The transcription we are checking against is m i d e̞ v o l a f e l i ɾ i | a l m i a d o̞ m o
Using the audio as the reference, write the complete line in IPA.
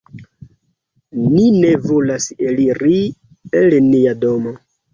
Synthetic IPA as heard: n i n e̞ v o l a s e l i ɾ i | e l n i a d o̞ m o